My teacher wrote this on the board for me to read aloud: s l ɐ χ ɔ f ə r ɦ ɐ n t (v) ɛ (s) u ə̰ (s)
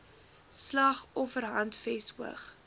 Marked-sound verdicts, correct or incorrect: incorrect, correct, incorrect

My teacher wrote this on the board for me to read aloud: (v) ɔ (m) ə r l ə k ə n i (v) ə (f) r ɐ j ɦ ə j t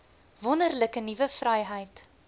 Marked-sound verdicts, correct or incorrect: correct, incorrect, correct, correct

